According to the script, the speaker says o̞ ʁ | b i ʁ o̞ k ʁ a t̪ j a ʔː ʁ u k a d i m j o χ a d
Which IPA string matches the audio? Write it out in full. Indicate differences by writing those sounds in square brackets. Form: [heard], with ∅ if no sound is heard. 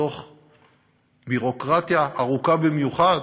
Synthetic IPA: o̞ [χ] | b i ʁ o̞ k ʁ a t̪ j a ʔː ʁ u k a [b] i m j [u] χ a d